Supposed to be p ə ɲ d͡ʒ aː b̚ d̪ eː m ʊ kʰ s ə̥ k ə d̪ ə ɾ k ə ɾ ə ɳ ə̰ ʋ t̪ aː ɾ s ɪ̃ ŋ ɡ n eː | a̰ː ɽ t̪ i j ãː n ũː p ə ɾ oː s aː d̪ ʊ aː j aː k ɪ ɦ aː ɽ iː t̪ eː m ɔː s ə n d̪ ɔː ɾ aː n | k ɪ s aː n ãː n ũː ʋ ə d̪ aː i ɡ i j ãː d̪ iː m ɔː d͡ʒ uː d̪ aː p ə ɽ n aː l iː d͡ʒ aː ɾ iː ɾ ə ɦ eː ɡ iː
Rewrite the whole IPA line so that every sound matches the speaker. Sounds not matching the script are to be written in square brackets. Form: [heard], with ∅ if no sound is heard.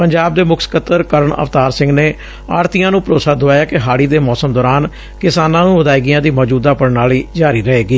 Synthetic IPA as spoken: p ə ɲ d͡ʒ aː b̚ d̪ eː m ʊ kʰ s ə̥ k ə [t̪] ə ɾ k ə ɾ ə ɳ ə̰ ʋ t̪ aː ɾ s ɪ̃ ŋ ɡ n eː | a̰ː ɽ t̪ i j ãː n ũː p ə ɾ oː s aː d̪ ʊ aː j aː k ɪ ɦ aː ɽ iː [d̪] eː m ɔː s ə [m] d̪ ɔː ɾ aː n | k ɪ s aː n ãː n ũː ʋ ə d̪ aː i ɡ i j ãː d̪ iː m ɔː d͡ʒ uː d̪ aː p ə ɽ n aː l iː d͡ʒ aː ɾ iː ɾ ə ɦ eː ɡ iː